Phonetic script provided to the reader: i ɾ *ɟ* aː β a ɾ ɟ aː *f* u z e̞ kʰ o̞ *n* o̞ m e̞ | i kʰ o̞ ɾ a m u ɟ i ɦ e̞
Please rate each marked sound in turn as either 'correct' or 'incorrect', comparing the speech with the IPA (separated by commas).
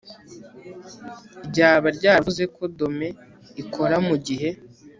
correct, incorrect, incorrect